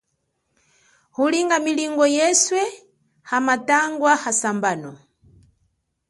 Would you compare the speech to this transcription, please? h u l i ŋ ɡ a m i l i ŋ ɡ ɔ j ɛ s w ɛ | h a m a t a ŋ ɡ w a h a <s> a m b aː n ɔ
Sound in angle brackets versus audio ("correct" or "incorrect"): correct